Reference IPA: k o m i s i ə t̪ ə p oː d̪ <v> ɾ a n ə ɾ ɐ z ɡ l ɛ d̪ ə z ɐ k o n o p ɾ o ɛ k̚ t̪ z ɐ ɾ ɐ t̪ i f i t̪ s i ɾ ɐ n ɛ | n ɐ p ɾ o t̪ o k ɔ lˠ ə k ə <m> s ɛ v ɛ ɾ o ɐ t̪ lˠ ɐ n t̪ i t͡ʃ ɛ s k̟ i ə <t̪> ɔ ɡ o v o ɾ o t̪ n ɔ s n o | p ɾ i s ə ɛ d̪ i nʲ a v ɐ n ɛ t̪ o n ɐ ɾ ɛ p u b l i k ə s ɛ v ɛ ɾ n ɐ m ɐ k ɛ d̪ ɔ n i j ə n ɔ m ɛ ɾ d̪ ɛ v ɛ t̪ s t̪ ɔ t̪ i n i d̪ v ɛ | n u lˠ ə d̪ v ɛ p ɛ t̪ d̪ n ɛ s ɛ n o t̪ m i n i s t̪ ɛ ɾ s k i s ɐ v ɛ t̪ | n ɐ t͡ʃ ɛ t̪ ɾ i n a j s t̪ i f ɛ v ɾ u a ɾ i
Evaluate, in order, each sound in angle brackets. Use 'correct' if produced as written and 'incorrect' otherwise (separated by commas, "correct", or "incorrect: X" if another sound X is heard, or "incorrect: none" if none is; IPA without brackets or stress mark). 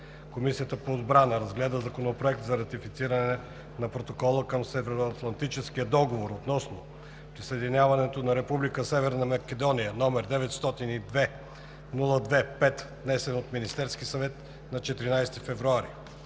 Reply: incorrect: b, correct, incorrect: d̪